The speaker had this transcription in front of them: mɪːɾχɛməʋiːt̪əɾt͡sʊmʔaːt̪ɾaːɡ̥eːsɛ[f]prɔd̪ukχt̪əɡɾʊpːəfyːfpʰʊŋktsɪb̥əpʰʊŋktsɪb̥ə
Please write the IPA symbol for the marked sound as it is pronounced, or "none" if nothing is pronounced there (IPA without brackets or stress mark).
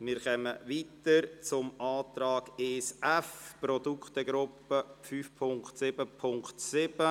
f